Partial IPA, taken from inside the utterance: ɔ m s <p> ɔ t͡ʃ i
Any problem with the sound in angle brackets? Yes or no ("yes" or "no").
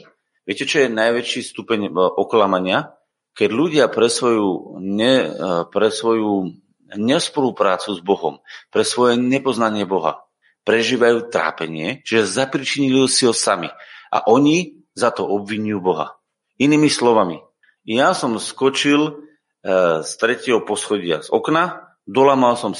yes